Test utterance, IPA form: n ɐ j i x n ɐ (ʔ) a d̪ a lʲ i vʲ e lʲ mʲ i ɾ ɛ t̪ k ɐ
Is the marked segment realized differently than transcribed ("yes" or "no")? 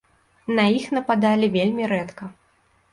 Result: yes